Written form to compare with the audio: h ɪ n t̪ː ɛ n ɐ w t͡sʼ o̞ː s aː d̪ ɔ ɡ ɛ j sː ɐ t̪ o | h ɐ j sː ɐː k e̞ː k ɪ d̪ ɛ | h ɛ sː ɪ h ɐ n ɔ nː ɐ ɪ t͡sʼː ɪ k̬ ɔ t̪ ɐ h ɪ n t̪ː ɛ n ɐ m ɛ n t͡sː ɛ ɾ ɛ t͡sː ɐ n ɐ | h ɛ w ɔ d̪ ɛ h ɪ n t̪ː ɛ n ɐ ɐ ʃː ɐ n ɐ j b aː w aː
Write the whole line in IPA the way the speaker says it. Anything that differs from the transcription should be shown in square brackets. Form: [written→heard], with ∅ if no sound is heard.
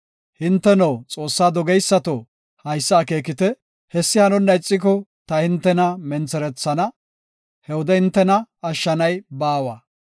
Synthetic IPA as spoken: h ɪ n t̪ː ɛ n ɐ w t͡sʼ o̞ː [s→sː] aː d̪ ɔ ɡ ɛ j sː ɐ t̪ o | h ɐ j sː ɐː k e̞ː k ɪ [d̪→t̪] ɛ | h ɛ sː ɪ h ɐ n ɔ nː ɐ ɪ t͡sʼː ɪ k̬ ɔ t̪ ɐ h ɪ n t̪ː ɛ n ɐ m ɛ n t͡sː ɛ ɾ ɛ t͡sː ɐ n ɐ | h ɛ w ɔ d̪ ɛ h ɪ n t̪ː ɛ n ɐ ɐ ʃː ɐ n ɐ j b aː w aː